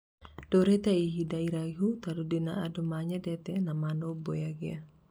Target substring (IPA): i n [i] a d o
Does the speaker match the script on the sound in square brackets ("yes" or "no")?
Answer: no